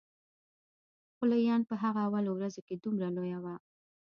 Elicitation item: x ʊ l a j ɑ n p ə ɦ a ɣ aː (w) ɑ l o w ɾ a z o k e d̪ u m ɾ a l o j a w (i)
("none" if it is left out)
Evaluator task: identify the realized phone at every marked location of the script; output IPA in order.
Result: w, a

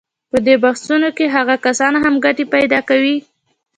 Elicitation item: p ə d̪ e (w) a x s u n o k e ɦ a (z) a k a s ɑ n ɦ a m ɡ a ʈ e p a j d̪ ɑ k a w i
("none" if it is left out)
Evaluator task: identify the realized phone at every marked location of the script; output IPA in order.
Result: b, ɣ

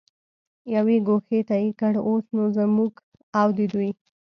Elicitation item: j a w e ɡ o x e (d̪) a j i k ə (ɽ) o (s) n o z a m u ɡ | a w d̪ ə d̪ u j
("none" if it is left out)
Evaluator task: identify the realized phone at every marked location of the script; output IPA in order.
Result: t̪, ɽ, s

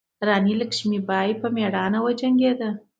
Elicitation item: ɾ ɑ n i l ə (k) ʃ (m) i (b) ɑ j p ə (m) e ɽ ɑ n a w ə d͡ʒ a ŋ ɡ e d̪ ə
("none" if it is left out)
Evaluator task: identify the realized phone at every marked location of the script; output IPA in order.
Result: k, m, b, m

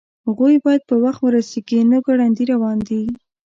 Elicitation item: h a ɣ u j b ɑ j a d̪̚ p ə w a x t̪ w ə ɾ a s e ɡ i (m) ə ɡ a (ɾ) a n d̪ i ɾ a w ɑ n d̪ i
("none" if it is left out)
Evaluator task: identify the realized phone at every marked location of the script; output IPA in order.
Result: n, ɽ

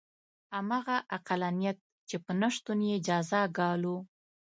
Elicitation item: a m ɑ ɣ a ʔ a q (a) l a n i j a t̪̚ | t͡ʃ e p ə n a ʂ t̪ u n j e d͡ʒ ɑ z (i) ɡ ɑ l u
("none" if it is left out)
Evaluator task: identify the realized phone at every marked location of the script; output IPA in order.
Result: a, a

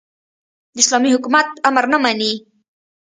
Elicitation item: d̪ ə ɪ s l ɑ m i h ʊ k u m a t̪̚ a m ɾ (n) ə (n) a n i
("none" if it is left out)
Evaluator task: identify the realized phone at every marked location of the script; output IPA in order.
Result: n, m

